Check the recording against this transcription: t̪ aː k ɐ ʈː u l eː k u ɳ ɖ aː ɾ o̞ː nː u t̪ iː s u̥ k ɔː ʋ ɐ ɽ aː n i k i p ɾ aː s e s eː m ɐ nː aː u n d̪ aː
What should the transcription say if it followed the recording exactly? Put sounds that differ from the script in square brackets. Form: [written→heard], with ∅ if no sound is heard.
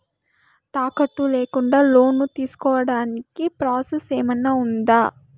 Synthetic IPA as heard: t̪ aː k ɐ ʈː u l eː k u ɳ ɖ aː [ɾ→l] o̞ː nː u t̪ iː s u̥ k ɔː ʋ ɐ ɽ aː n i k i p ɾ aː s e s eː m ɐ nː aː u n d̪ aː

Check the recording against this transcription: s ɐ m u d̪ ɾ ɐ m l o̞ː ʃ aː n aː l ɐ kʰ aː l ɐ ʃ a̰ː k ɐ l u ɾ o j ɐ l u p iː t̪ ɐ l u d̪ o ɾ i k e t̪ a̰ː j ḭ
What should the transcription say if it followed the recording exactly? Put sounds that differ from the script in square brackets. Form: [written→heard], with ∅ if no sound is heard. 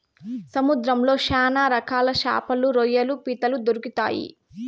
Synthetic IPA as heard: s ɐ m u d̪ ɾ ɐ m l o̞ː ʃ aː n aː [l→ɾ] ɐ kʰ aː l ɐ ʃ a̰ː [k→p] ɐ l u ɾ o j ɐ l u p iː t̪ ɐ l u d̪ o ɾ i k [e→i] t̪ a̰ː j ḭ

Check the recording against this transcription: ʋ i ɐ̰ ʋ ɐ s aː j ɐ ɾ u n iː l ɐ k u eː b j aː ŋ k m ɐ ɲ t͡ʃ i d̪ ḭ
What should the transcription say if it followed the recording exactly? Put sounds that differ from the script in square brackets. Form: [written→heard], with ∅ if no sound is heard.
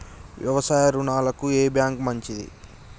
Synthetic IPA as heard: ʋ [i→j] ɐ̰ ʋ ɐ s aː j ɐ ɾ u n [iː→aː] l ɐ k u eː b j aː ŋ k m ɐ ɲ t͡ʃ i d̪ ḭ

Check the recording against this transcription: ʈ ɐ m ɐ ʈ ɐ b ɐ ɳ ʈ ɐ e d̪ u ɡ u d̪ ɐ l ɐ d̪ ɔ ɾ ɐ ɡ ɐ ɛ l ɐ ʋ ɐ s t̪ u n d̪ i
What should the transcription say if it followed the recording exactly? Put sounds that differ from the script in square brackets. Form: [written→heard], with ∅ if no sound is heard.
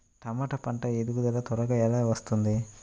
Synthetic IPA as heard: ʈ ɐ m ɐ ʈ ɐ [b→p] ɐ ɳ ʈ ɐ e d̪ u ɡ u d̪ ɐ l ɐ [d̪→t̪] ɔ ɾ ɐ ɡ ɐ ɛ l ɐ ʋ ɐ s t̪ u n d̪ i

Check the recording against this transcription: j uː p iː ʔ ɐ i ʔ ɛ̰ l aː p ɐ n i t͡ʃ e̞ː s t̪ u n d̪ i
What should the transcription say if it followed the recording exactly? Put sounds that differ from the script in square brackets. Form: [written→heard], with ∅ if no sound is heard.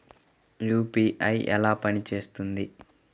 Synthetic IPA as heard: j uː p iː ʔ ɐ [i→j] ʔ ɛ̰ l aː p ɐ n i t͡ʃ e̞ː s t̪ u n d̪ i

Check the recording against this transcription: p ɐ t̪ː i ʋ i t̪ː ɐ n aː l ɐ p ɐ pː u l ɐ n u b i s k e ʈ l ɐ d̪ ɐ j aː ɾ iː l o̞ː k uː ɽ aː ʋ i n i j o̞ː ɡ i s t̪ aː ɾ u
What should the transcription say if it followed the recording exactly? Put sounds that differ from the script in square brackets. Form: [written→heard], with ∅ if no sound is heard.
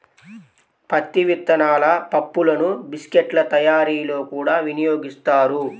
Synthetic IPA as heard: p ɐ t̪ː i ʋ i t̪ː ɐ n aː l ɐ p ɐ pː u l ɐ n u b i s k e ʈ l ɐ [d̪→t̪] ɐ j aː ɾ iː l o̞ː k uː ɽ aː ʋ i n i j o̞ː ɡ i s t̪ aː ɾ u

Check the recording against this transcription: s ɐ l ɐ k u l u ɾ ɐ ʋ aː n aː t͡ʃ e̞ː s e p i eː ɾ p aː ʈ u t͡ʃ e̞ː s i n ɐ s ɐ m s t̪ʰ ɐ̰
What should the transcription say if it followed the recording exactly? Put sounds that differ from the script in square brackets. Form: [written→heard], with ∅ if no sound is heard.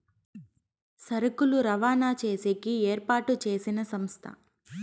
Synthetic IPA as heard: s ɐ [l→ɾ] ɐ k u l u ɾ ɐ ʋ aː n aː t͡ʃ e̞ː s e [p→k] i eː ɾ p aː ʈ u t͡ʃ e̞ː s i n ɐ s ɐ m s t̪ʰ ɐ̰

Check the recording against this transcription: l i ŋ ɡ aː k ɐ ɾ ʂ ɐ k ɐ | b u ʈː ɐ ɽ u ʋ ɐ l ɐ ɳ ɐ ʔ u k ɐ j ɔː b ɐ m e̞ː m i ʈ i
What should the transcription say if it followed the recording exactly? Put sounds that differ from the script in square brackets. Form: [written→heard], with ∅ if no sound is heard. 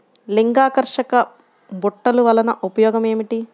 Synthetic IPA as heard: l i ŋ ɡ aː k ɐ ɾ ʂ ɐ k ɐ | b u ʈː ɐ [ɽ→l] u ʋ ɐ l ɐ [ɳ→n] ɐ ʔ u [k→p] ɐ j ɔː [b→ɡ] ɐ m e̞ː m i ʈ i

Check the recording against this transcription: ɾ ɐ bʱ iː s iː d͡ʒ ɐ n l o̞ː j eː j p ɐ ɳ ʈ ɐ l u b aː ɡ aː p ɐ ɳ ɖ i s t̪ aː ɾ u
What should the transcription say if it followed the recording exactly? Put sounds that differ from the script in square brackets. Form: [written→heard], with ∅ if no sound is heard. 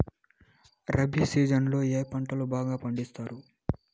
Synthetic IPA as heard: ɾ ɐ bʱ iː s iː d͡ʒ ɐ n l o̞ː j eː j p ɐ ɳ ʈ ɐ l u b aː ɡ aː p ɐ ɳ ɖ i s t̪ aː ɾ u

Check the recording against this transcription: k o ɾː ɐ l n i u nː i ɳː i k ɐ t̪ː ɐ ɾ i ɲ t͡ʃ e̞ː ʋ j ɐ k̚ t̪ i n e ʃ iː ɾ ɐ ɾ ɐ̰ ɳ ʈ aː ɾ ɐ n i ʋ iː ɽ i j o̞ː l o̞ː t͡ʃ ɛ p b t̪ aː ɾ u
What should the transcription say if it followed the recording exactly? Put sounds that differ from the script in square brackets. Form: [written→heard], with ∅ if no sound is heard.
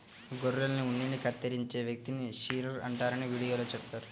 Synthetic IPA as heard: [k→ɡ] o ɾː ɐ l n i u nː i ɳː i k ɐ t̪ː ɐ ɾ i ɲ t͡ʃ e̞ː ʋ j ɐ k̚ t̪ i n [e→i] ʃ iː ɾ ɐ ɾ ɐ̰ ɳ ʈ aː ɾ ɐ n i ʋ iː ɽ i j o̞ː l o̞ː t͡ʃ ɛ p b t̪ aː ɾ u

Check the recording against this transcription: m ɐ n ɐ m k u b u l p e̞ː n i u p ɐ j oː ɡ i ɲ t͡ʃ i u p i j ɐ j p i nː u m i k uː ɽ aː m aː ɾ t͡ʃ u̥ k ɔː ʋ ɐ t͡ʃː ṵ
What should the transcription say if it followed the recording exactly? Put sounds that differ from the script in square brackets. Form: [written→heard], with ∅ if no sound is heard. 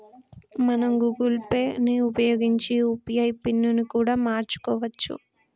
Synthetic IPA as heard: m ɐ n ɐ m [k→ɡ] u [b→ɡ] u l p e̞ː n i u p ɐ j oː ɡ i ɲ t͡ʃ i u p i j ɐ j p i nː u [m→n] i k uː ɽ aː m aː ɾ t͡ʃ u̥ k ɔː ʋ ɐ t͡ʃː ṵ

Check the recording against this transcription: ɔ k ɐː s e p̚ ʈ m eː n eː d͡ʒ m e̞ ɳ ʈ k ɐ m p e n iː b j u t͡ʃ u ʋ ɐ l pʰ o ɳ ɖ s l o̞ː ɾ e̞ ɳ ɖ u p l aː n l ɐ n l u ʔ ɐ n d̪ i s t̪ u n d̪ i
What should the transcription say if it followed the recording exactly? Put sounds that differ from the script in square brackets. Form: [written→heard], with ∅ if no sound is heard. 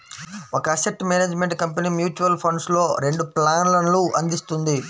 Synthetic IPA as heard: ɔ k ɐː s e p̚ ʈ m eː n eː d͡ʒ m e̞ ɳ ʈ k ɐ m p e n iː [b→m] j [u→uː] t͡ʃ u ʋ ɐ l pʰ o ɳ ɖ s l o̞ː ɾ e̞ ɳ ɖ u p l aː n l ɐ n l u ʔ ɐ n d̪ i s t̪ u n d̪ i

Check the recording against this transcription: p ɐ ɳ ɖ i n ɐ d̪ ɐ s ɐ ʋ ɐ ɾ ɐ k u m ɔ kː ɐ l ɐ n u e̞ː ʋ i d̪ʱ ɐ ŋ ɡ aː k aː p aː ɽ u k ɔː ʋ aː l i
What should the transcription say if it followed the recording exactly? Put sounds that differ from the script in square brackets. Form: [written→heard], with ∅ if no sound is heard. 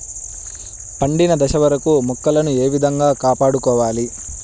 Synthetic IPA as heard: p ɐ ɳ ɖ i n ɐ d̪ ɐ [s→ʃ] ɐ ʋ ɐ ɾ ɐ k u m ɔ kː ɐ l ɐ n u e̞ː ʋ i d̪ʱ ɐ ŋ ɡ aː k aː p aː ɽ u k ɔː ʋ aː l i

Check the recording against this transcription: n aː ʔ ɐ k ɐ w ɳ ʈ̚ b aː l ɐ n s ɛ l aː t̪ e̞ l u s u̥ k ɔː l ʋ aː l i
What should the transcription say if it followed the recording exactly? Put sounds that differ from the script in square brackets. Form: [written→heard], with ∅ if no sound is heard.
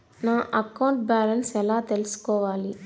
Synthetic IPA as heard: n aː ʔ ɐ k ɐ w ɳ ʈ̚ b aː l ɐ n s ɛ l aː t̪ e̞ l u s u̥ k ɔː [l→∅] ʋ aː l i

